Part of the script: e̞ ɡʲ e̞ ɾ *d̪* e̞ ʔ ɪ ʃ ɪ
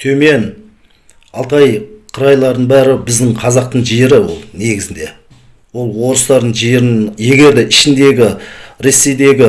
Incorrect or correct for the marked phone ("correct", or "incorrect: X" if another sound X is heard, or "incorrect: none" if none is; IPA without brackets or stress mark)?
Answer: correct